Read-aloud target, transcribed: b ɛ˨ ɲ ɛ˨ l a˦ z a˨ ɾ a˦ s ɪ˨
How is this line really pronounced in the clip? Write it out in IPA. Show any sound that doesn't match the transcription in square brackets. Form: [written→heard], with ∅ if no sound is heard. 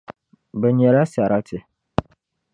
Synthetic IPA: b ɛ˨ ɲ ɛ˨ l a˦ [z→s] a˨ ɾ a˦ [s→t] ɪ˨